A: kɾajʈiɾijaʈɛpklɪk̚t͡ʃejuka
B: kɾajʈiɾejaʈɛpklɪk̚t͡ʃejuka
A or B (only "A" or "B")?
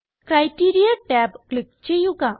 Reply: A